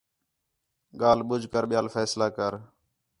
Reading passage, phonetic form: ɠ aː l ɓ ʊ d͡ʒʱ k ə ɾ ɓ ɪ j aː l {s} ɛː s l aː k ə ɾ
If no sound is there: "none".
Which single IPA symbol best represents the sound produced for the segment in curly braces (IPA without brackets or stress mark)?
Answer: f